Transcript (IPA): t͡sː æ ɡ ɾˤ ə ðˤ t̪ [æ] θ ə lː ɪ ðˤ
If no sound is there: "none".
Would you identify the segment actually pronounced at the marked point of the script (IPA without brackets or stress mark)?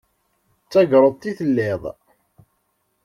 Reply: i